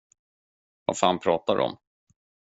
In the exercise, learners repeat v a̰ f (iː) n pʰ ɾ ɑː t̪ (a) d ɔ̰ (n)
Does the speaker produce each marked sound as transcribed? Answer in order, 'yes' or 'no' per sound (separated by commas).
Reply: no, yes, no